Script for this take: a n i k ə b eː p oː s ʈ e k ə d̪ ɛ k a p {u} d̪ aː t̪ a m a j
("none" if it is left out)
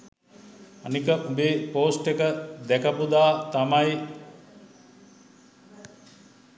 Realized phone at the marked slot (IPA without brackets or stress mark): u